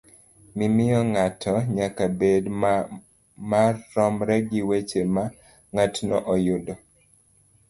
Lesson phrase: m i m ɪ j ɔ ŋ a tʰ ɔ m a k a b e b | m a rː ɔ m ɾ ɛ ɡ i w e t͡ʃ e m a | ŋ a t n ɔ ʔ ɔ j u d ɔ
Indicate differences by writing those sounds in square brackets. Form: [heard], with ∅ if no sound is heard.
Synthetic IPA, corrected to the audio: m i m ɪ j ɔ ŋ a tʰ ɔ [ɲ] a k a b e [d] | m a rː ɔ m ɾ ɛ ɡ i w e t͡ʃ e m a | ŋ a t n ɔ ʔ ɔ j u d ɔ

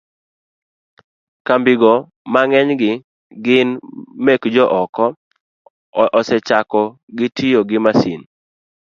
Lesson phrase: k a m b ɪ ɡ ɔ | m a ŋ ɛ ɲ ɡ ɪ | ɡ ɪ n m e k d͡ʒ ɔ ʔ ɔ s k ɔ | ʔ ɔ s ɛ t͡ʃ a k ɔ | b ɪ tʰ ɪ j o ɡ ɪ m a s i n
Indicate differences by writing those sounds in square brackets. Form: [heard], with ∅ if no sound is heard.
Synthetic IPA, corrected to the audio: k a m b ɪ ɡ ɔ | m a ŋ ɛ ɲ ɡ ɪ | ɡ ɪ n m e k d͡ʒ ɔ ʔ ɔ [∅] k ɔ | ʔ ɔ s ɛ t͡ʃ a k ɔ | [ɡ] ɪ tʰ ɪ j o ɡ ɪ m a s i n

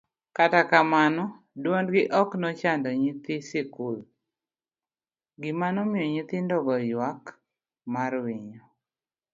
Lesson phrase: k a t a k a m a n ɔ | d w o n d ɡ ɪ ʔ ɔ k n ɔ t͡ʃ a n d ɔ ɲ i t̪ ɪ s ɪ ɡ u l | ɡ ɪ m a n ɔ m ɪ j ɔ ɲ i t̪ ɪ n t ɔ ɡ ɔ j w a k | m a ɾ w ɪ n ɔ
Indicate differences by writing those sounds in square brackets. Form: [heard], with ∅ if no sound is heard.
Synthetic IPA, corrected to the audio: k a t a k a m a n ɔ | d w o n d ɡ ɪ ʔ ɔ k n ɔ t͡ʃ a n d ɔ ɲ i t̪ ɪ s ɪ [k] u l | ɡ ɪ m a n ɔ m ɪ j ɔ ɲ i t̪ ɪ n [d] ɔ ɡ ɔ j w a k | m a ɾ w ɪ [ɲ] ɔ

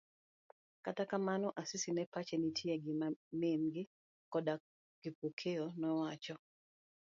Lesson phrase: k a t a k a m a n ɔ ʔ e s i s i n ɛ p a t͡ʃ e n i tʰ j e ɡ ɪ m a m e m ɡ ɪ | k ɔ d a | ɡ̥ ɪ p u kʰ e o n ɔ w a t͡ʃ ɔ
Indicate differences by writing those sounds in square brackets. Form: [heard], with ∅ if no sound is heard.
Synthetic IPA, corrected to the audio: k a t a k a m a n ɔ ʔ [a] s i s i n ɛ p a t͡ʃ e n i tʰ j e ɡ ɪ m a m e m ɡ ɪ | k ɔ d a | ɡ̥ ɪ p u kʰ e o n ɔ w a t͡ʃ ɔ

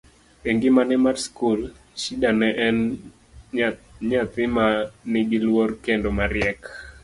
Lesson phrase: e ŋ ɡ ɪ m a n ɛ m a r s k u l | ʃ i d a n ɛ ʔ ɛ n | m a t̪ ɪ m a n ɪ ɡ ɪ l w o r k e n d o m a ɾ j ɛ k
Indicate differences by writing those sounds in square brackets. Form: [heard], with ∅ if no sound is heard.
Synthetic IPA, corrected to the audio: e ŋ ɡ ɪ m a n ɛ m a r s k u l | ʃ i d a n ɛ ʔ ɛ n | [ɲ] a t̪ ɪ m a n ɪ ɡ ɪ l w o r k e n d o m a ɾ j ɛ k

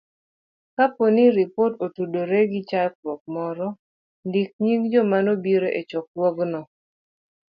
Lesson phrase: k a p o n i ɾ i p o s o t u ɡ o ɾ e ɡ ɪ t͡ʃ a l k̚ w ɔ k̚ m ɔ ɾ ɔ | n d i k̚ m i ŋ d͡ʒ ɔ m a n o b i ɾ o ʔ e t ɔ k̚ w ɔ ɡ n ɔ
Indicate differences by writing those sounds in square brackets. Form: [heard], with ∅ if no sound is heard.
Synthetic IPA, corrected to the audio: k a p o n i ɾ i p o [t] o t u [d] o ɾ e ɡ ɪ t͡ʃ a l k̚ w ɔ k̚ m ɔ ɾ ɔ | n d i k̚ [ɲ] i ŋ d͡ʒ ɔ m a n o b i ɾ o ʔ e [t͡ʃ] ɔ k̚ w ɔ ɡ n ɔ

